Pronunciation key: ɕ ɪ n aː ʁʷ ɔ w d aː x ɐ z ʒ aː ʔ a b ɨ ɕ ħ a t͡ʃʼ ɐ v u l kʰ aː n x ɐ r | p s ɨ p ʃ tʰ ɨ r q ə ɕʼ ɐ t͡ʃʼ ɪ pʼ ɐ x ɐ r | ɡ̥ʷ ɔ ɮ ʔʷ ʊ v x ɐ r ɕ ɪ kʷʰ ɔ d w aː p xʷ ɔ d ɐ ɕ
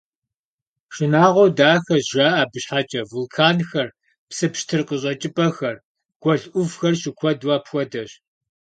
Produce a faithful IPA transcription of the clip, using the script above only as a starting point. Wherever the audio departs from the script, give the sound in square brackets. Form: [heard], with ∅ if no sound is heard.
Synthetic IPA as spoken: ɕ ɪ n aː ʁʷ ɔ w d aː x ɐ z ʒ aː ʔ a b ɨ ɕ ħ a t͡ʃʼ ɐ v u l kʰ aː n x ɐ r | p s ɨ p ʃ tʰ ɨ r q ə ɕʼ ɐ t͡ʃʼ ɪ pʼ ɐ x ɐ r | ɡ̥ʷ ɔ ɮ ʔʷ ʊ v x ɐ r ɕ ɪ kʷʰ ɔ d w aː p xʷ ɔ d ɐ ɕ